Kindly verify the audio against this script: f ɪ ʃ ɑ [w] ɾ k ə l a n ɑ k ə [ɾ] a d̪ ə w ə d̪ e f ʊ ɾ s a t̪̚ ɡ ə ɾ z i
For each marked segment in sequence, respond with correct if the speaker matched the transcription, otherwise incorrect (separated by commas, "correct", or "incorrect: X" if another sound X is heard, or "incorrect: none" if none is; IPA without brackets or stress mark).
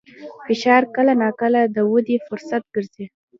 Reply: incorrect: none, incorrect: l